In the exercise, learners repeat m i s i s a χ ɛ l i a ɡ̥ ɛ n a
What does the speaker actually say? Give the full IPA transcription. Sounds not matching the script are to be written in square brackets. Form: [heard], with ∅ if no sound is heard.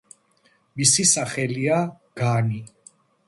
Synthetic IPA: m i s i s a χ ɛ l i a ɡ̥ [a] n [i]